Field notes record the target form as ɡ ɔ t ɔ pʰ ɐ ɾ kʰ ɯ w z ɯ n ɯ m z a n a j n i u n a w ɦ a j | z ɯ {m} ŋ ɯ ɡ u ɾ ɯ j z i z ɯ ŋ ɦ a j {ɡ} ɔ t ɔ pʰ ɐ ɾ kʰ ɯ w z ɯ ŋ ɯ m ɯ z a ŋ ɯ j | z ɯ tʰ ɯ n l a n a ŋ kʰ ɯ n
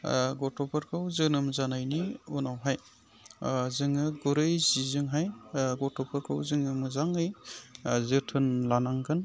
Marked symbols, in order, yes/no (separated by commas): no, yes